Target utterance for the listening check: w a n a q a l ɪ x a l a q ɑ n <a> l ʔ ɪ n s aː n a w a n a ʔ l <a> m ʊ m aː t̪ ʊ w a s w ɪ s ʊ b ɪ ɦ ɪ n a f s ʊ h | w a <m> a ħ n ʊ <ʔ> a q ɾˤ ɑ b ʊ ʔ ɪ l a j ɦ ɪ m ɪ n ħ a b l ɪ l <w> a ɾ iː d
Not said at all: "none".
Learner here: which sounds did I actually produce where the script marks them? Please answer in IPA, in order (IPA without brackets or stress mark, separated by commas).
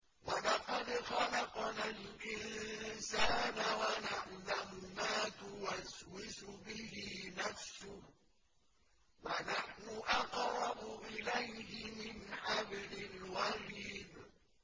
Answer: a, a, n, ʔ, w